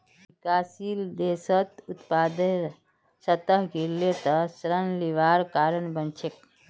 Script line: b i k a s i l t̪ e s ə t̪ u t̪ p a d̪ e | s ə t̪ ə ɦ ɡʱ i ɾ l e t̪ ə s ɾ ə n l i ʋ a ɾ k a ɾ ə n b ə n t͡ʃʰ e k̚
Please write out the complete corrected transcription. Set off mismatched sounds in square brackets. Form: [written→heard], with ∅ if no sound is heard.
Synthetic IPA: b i k a s i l [t̪→d̪] e s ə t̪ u t̪ p a d̪ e | s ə t̪ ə ɦ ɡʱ i ɾ l e t̪ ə s ɾ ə n l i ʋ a ɾ k a ɾ ə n b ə n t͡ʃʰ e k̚